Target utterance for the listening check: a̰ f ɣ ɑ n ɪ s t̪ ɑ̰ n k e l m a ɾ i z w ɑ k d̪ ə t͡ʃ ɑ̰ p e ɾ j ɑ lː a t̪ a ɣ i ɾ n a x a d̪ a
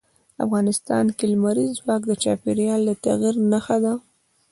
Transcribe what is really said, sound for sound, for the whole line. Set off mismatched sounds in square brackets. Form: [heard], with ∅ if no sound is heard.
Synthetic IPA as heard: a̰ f ɣ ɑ n ɪ s t̪ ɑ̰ n k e l m a ɾ i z w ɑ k d̪ ə t͡ʃ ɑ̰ p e ɾ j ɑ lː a t̪ a ɣ i ɾ n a x a d̪ a